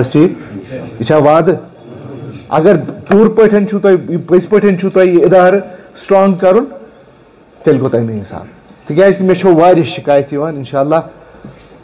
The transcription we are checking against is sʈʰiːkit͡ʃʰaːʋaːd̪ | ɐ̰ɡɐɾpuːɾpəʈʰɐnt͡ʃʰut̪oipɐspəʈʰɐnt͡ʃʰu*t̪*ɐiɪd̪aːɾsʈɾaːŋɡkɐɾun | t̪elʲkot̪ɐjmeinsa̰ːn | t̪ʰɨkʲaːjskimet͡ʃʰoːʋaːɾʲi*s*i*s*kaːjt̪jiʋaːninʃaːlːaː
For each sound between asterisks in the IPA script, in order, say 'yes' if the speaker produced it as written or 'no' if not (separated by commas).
yes, no, no